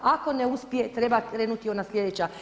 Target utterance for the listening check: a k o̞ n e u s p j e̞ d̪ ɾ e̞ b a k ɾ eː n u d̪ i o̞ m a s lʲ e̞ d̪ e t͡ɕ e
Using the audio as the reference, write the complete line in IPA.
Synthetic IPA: a k o̞ n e u s p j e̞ t̪ ɾ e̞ b a k ɾ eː n u t̪ i o̞ n a s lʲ e̞ d̪ e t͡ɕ a